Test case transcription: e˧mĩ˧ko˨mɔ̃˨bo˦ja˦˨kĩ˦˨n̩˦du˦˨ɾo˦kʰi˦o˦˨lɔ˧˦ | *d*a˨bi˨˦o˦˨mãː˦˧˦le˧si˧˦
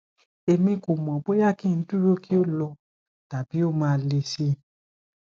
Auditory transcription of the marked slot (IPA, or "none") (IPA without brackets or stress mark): t